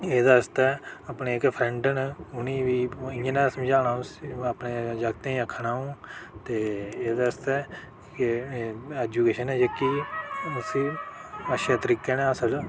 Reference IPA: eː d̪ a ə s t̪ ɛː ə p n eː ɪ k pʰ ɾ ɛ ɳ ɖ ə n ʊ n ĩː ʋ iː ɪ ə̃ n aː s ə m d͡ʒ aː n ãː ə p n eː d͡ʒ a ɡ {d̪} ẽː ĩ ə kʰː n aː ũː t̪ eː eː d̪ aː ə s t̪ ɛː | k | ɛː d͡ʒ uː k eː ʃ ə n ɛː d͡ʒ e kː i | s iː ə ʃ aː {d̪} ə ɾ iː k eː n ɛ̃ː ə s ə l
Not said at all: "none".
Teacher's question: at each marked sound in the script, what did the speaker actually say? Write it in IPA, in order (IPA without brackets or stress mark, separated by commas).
t̪, t̪